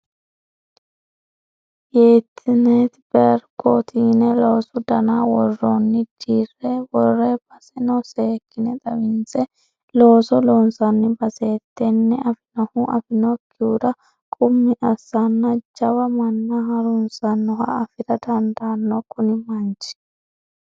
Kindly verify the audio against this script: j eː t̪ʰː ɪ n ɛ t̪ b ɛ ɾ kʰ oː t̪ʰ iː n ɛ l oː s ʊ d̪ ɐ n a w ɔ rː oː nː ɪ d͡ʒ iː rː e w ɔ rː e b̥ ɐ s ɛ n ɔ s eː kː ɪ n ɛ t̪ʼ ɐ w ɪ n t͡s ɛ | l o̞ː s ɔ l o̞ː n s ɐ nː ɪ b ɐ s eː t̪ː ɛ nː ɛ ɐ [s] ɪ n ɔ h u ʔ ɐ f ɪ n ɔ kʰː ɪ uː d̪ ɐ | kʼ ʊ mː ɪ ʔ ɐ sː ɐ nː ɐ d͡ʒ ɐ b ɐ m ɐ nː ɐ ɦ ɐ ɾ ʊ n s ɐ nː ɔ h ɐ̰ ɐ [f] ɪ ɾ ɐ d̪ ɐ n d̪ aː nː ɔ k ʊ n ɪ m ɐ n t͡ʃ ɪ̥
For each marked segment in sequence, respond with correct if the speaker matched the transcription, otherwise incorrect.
incorrect: f, correct

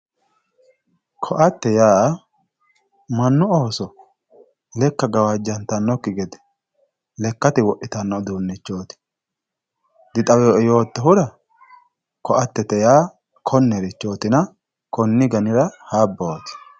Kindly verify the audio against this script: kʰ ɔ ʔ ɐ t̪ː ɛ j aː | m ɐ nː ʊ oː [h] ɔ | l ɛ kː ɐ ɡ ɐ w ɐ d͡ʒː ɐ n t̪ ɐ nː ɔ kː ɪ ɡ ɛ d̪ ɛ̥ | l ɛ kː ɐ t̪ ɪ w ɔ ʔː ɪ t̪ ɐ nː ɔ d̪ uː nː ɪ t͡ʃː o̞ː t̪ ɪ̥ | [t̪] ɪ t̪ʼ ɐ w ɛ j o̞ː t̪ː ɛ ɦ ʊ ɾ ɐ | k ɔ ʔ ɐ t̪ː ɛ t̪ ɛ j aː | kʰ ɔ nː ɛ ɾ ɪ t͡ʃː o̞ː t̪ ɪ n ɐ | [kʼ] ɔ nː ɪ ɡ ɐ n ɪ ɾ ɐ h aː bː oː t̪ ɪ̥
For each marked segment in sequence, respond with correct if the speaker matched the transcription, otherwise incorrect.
incorrect: s, incorrect: d̪, incorrect: k

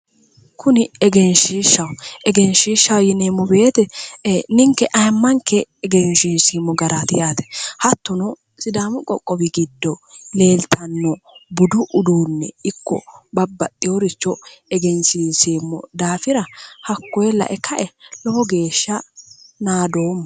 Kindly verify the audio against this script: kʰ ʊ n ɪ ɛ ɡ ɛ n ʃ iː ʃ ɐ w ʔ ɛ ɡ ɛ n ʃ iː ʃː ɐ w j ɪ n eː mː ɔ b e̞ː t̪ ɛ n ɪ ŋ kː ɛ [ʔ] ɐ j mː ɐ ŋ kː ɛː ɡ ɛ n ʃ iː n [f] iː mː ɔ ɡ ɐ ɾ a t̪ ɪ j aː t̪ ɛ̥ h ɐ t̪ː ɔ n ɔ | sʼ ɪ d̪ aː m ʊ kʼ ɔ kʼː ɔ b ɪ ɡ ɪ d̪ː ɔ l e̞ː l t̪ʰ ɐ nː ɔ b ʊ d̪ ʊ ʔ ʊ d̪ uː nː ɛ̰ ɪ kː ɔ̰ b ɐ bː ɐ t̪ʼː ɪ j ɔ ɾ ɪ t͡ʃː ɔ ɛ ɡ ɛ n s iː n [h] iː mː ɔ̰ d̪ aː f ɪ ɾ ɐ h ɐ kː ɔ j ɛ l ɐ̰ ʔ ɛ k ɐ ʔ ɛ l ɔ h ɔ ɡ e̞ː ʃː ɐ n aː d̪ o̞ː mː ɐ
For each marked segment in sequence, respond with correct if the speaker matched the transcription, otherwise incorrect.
correct, incorrect: s, incorrect: s

